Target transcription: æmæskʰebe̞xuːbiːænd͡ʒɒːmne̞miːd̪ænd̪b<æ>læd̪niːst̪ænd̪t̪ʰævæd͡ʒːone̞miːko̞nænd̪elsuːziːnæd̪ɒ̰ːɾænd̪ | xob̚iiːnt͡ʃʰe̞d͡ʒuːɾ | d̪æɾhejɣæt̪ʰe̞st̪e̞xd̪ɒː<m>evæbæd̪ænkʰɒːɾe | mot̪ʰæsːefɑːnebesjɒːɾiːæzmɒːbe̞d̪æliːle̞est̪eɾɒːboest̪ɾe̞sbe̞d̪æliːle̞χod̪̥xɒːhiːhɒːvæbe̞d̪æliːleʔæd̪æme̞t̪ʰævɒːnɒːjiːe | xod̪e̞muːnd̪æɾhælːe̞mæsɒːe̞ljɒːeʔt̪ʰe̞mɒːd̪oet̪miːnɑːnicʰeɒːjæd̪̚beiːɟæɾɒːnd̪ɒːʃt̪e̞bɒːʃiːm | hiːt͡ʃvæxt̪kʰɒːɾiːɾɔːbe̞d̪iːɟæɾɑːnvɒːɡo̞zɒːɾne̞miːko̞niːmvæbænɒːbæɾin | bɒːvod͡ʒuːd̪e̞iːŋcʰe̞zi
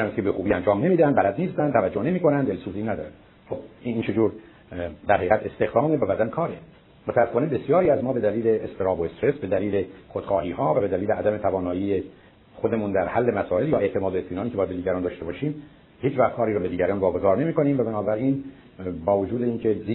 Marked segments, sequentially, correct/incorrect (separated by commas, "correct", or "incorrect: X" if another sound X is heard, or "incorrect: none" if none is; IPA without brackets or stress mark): correct, correct